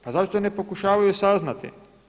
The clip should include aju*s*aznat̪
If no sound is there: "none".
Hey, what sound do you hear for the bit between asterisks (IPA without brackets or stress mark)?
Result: s